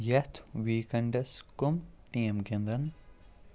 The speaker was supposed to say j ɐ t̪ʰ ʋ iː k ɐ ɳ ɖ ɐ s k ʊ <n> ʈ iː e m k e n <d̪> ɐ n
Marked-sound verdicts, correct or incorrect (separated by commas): incorrect, correct